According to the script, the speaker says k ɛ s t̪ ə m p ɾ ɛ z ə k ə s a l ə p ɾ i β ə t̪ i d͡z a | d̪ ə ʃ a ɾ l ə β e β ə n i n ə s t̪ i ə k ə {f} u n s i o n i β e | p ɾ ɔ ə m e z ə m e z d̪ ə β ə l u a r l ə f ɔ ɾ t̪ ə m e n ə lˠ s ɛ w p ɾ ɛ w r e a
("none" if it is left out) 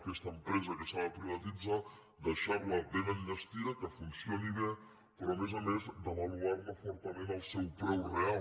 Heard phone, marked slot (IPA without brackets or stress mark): f